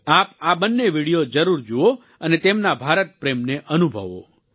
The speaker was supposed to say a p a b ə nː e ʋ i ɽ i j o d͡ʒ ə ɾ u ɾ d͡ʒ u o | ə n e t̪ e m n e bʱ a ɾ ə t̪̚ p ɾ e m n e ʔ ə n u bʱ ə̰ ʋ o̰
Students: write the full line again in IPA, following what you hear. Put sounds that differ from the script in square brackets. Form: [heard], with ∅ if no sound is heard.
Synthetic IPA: a p a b ə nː e ʋ i ɽ i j o d͡ʒ ə ɾ u ɾ d͡ʒ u o | ə n e t̪ e m n [a] bʱ a ɾ ə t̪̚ p ɾ e m n e ʔ ə n u bʱ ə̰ ʋ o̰

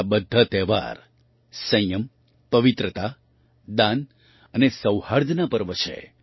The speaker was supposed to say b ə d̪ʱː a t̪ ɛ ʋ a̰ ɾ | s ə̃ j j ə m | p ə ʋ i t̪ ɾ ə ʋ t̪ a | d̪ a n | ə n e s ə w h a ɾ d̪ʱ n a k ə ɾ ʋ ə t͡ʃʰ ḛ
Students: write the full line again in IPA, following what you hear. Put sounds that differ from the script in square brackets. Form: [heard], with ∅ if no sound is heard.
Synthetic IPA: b ə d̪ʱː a t̪ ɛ ʋ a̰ ɾ | s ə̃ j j ə m | p ə ʋ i t̪ ɾ ə [∅] t̪ a | d̪ a n | ə n e s ə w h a ɾ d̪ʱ n a [p] ə ɾ ʋ ə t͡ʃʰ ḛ

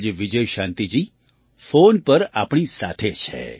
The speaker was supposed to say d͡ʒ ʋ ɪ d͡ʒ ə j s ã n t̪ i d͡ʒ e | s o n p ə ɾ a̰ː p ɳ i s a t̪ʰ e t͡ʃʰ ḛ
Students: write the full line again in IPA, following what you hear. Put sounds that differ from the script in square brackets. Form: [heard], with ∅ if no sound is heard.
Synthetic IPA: d͡ʒ ʋ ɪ d͡ʒ ə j [ʃ] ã n t̪ i d͡ʒ [i] | [f] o n p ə ɾ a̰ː p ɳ i s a t̪ʰ e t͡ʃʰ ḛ

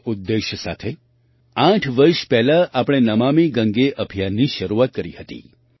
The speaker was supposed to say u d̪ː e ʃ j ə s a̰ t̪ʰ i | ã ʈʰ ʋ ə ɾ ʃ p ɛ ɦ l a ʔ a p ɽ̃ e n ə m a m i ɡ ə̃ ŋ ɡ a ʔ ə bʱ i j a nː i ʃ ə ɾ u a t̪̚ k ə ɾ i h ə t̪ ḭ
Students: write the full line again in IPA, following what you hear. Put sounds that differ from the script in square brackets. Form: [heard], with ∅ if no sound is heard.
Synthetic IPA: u d̪ː e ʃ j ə s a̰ t̪ʰ [e] | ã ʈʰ ʋ ə ɾ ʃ p ɛ ɦ l a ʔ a p ɽ̃ e n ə m a m i ɡ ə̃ ŋ ɡ [e] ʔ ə bʱ i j a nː i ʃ ə ɾ u a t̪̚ k ə ɾ i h ə t̪ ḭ

